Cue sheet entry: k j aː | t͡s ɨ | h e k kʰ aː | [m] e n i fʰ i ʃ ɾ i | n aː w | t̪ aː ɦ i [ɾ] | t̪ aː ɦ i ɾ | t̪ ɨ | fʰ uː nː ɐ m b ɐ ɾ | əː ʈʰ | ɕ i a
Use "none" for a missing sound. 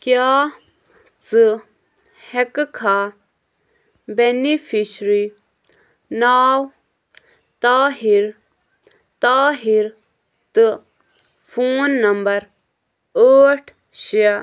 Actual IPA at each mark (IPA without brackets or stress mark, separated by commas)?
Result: b, ɾ